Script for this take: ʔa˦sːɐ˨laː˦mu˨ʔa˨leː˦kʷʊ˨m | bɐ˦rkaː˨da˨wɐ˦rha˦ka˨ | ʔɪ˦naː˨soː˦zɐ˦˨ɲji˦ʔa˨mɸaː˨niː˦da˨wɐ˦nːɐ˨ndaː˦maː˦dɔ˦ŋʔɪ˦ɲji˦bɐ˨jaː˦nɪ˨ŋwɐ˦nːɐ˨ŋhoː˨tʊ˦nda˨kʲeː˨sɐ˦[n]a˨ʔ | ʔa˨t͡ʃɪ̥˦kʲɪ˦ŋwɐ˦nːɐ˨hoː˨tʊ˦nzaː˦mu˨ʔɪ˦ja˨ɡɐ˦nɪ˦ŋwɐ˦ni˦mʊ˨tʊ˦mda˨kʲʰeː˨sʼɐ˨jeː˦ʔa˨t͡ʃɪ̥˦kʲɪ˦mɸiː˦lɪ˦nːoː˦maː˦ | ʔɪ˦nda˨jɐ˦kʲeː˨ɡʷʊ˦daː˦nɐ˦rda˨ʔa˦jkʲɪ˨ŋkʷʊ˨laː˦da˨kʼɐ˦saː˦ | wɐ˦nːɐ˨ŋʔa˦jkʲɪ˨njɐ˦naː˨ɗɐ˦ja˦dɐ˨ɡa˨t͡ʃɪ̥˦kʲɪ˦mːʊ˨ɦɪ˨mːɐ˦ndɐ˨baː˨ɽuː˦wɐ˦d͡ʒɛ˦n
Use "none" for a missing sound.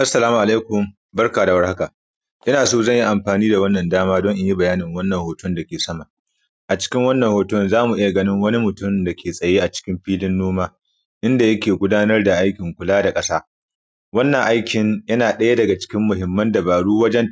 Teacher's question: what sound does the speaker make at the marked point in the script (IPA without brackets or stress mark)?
m